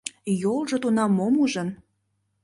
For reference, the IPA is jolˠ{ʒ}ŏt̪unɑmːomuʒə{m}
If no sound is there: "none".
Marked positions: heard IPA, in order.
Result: ʒ, n

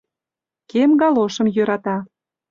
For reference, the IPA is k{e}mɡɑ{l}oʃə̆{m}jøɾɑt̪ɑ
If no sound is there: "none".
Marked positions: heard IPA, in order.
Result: e, l, m

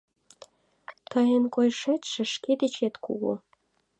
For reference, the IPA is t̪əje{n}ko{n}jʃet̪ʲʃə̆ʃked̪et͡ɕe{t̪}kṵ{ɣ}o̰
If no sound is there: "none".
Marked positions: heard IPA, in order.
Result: n, none, t̪, ɣ

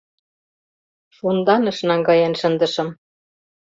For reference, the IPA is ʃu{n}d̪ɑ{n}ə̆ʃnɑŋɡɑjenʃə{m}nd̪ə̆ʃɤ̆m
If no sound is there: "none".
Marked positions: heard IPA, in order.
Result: n, n, none

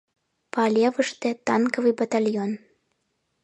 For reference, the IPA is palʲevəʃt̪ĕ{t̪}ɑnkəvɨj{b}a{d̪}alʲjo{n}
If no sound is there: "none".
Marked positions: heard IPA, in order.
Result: t̪, b, t̪, n

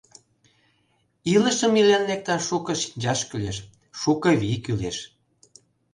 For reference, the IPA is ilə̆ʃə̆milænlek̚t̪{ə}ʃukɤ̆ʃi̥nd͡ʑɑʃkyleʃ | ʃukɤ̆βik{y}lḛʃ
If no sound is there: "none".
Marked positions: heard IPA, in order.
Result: ɑ, y

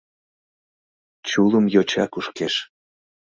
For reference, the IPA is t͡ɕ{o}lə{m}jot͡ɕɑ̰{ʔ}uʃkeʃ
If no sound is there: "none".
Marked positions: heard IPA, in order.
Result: u, m, k

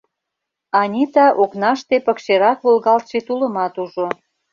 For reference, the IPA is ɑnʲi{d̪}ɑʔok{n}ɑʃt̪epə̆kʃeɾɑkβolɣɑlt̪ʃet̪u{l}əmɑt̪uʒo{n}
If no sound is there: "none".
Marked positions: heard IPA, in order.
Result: t̪, n, l, none

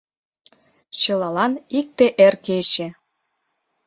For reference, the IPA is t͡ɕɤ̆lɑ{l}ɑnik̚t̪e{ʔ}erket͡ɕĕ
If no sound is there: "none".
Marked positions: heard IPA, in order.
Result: l, ʔ

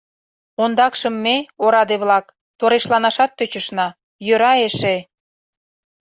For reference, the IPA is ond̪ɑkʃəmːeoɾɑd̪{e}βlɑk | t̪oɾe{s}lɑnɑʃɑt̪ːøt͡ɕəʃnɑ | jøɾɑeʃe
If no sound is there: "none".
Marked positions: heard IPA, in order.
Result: e, ʃ

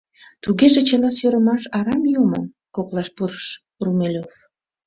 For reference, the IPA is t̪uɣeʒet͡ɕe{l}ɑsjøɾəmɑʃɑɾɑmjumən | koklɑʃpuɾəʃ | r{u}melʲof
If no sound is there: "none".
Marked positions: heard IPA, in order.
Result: l, u

